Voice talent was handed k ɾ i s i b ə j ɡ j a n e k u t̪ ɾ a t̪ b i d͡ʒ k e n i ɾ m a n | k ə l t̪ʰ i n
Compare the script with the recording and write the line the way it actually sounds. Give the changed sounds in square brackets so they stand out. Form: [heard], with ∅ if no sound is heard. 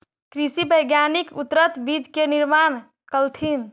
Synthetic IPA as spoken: k ɾ i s i b ə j ɡ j a n [i] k u t̪ ɾ [ə] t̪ b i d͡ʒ k e n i ɾ m a n | k ə l t̪ʰ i n